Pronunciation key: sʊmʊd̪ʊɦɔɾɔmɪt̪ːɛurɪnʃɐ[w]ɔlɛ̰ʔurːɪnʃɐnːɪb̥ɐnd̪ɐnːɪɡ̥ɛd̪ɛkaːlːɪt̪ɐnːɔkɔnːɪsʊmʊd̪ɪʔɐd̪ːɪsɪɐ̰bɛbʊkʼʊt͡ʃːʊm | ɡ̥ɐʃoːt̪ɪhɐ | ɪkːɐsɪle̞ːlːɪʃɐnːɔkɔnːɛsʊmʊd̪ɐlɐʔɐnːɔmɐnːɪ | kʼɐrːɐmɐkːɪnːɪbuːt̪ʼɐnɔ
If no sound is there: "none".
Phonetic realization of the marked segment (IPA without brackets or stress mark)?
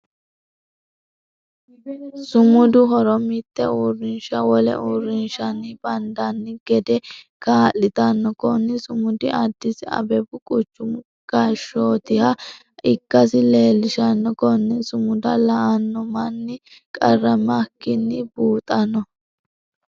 w